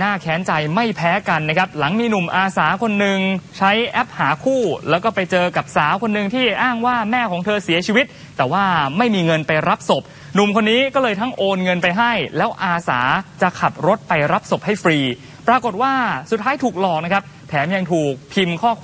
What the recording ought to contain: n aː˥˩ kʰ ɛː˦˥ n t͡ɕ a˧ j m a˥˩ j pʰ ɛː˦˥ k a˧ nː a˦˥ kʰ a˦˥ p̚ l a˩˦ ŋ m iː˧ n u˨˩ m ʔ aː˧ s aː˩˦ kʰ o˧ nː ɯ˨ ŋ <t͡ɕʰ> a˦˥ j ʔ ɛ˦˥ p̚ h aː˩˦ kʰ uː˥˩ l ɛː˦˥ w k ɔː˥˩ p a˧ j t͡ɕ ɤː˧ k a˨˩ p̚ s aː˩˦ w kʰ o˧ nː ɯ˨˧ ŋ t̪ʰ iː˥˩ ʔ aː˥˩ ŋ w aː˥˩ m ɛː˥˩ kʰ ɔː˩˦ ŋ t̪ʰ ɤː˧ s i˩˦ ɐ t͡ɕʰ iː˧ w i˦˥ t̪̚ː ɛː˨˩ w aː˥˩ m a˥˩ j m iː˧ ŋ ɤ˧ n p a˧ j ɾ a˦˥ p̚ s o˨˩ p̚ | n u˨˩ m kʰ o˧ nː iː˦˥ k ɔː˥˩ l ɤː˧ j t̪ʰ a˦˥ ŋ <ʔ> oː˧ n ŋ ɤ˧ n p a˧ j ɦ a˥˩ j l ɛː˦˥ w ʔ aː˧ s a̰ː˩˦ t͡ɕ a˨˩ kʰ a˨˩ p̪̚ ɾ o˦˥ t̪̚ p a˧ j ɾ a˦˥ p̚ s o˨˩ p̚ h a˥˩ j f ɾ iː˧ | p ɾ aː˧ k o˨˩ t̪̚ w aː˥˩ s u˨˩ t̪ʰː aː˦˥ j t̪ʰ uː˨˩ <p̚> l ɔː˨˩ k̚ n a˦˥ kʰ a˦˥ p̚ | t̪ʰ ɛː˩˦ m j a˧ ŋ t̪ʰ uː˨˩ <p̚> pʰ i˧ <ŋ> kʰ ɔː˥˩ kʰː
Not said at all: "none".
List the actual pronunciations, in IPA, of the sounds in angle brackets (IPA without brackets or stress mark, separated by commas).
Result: t͡ɕʰ, ʔ, k̚, k̚, m